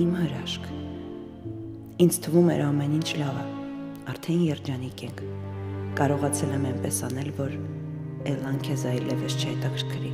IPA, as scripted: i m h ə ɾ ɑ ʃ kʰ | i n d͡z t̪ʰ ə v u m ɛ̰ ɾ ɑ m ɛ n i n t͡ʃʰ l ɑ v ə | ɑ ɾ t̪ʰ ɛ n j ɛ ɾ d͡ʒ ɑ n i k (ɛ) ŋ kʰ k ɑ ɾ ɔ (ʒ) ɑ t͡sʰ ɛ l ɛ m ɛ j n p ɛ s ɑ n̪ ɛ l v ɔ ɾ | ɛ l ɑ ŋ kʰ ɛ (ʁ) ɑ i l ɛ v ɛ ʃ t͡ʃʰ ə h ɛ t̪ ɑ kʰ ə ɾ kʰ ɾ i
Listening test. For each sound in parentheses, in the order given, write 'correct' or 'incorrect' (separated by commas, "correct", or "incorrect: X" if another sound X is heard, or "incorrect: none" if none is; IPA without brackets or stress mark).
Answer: correct, incorrect: ʁ, incorrect: z